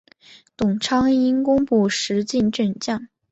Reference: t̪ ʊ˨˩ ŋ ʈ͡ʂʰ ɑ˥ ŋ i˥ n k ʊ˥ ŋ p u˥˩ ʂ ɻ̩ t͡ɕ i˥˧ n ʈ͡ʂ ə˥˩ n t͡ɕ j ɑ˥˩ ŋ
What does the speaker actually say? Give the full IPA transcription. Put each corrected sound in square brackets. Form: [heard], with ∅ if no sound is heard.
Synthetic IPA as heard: t̪ ʊ˨˩ ŋ ʈ͡ʂʰ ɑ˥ ŋ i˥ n k ʊ˥ ŋ p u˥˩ ʂ ɻ̩ t͡ɕ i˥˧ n ʈ͡ʂ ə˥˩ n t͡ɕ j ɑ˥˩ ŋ